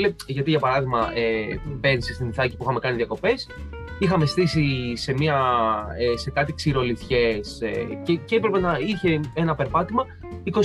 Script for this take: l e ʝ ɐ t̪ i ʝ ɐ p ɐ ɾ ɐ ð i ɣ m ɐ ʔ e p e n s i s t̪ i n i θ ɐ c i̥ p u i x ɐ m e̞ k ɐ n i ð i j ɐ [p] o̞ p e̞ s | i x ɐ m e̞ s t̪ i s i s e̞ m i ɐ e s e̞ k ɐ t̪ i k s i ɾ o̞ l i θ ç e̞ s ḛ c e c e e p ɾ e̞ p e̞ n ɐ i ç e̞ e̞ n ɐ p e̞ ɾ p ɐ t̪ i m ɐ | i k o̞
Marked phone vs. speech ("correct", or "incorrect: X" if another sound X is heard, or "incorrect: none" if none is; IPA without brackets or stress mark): incorrect: k